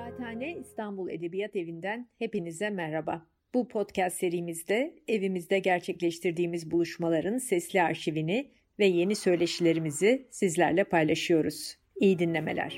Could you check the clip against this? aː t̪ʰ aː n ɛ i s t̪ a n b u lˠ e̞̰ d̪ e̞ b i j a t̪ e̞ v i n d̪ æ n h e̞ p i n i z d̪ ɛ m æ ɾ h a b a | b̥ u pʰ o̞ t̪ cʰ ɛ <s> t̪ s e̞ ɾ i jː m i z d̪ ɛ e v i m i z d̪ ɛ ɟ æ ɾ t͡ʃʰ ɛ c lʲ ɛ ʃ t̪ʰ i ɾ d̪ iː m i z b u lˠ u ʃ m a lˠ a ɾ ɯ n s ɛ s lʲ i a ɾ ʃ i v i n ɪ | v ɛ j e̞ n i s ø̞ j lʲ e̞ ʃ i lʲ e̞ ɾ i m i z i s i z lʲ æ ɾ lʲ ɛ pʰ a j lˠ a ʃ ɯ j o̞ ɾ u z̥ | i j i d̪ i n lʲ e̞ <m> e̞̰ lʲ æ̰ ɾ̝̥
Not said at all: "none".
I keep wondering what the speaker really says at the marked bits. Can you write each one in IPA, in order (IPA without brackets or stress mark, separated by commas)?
s, m